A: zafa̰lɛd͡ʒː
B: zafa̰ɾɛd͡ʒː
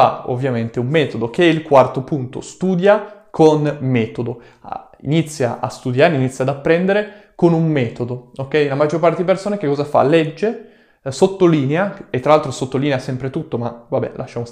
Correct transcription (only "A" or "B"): A